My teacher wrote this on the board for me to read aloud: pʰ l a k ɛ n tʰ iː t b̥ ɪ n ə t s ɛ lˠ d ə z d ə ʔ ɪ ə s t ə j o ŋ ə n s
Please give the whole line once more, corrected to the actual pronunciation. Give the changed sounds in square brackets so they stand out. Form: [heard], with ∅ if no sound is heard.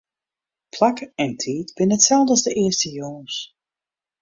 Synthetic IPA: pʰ l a k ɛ n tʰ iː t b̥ ɪ n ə t s ɛ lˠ d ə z d ə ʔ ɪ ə s t ə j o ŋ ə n s